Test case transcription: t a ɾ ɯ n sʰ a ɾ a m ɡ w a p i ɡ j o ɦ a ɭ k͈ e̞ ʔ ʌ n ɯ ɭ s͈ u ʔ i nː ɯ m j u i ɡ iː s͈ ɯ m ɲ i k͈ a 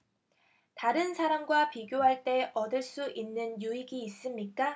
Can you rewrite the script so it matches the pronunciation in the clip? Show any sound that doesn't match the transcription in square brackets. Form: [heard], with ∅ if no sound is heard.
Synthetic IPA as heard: t a ɾ ɯ n sʰ a ɾ a m ɡ w a p i ɡ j o ɦ a ɭ [t͈] e̞ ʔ ʌ [d] ɯ ɭ s͈ u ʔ i nː ɯ [n] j u i ɡ iː s͈ ɯ m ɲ i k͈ a